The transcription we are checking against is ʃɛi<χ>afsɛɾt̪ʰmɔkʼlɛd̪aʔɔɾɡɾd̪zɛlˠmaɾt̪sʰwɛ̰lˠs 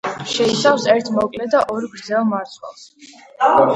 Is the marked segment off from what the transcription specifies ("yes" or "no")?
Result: yes